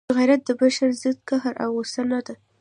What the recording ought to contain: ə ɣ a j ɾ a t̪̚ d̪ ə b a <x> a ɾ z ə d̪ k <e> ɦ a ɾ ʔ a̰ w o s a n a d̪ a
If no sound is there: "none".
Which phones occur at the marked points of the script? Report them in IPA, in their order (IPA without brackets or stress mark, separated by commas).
ʃ, a